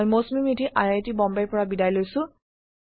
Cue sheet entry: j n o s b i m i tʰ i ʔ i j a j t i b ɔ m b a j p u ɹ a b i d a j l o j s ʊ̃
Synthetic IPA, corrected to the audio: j m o s m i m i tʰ i ʔ a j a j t i b ɔ m b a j p ɔ ɹ a b i d a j l o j s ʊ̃